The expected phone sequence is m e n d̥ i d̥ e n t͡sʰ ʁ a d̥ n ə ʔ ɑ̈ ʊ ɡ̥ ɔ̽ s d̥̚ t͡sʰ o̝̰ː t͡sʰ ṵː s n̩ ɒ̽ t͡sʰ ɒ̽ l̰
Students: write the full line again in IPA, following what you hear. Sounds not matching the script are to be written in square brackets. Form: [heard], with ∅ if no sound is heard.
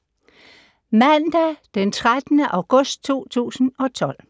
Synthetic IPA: m [æ] n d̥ [æ] d̥ e n t͡sʰ ʁ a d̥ n ə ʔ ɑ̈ ʊ ɡ̥ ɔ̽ s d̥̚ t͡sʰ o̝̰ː t͡sʰ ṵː s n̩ ɒ̽ t͡sʰ ɒ̽ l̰

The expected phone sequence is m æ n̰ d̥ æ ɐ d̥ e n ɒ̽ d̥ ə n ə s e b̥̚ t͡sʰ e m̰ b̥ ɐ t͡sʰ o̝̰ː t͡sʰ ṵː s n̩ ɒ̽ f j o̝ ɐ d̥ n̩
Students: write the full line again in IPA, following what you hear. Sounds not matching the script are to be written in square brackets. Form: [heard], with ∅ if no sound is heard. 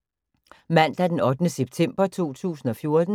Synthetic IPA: m æ n̰ d̥ æ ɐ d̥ e n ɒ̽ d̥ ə n ə s e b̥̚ t͡sʰ e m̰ b̥ ɐ t͡sʰ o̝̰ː t͡sʰ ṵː s n̩ ɒ̽ f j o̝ ɐ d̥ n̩

